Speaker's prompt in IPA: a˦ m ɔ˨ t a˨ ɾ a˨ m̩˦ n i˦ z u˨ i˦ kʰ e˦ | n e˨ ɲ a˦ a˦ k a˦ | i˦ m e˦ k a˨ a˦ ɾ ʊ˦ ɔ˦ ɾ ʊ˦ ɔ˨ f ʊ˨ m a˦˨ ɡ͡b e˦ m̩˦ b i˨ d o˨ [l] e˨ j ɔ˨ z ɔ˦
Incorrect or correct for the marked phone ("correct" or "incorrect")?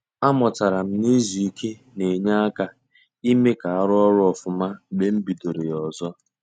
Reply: incorrect